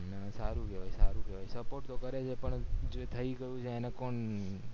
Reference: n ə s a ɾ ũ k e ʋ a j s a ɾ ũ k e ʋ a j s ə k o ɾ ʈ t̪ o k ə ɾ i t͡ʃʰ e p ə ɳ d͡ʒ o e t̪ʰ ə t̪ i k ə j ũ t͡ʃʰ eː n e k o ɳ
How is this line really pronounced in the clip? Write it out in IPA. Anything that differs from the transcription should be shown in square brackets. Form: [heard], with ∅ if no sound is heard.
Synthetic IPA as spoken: n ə s a ɾ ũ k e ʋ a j s a ɾ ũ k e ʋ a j s ə [p] o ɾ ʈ t̪ o k ə ɾ [e] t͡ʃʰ e p ə ɳ d͡ʒ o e t̪ʰ ə [∅] i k ə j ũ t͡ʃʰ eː n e k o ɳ